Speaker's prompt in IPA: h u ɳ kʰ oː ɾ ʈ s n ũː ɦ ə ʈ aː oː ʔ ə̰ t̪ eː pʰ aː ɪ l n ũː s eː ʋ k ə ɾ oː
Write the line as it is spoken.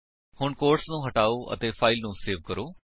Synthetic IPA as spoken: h ʊ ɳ k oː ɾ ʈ s n ũː ɦ ə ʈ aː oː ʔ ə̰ t̪ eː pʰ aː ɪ l n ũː s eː ʋ k ə ɾ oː